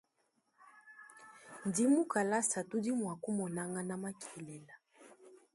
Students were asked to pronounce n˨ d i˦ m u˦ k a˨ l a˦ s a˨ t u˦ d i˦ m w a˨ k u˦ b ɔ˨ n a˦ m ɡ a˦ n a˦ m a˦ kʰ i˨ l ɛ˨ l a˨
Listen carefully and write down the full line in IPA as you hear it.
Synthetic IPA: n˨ d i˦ m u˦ k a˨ l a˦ s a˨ t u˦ d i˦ m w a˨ k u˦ m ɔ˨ n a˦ ŋ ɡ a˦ n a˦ m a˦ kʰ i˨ l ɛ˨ l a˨